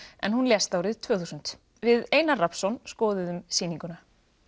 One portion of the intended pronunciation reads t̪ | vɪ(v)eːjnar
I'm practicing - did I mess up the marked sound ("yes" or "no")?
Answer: yes